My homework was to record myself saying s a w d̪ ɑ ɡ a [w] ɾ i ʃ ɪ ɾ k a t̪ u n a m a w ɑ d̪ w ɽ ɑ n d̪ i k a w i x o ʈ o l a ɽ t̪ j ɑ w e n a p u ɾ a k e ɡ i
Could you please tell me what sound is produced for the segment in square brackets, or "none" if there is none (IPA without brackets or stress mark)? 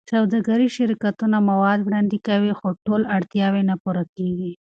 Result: none